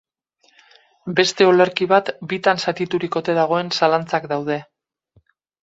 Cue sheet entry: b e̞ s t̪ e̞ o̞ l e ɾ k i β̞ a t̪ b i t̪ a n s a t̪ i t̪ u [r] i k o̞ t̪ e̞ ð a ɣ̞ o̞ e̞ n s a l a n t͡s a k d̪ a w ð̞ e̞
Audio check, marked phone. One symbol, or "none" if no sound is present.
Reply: ɾ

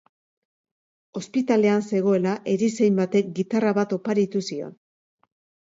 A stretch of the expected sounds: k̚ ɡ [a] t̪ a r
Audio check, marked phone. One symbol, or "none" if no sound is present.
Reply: i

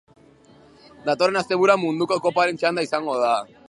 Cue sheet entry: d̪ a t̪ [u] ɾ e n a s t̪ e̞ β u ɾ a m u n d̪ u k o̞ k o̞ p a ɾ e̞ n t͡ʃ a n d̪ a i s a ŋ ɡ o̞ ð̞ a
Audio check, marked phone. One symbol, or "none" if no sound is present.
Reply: o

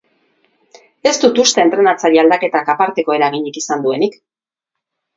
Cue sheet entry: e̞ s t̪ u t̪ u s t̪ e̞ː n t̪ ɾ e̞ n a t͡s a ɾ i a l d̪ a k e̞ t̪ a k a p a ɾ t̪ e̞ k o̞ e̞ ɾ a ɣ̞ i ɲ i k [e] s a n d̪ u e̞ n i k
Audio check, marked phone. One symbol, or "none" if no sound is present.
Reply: i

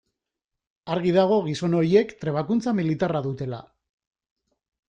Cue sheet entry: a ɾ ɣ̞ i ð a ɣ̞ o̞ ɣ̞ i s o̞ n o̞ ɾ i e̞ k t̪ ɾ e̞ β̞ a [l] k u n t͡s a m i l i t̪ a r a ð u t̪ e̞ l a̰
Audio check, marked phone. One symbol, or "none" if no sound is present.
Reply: none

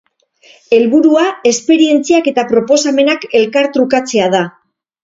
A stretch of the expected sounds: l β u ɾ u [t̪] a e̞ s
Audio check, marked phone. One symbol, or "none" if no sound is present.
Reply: none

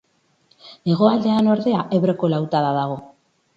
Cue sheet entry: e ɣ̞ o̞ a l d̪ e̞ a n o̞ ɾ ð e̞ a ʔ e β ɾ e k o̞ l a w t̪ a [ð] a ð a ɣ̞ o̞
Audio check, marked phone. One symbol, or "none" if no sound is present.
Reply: ð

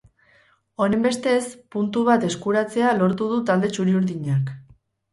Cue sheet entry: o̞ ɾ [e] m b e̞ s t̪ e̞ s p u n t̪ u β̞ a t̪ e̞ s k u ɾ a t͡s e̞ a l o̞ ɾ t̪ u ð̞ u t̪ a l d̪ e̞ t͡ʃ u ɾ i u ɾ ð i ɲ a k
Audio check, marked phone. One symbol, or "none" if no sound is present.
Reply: e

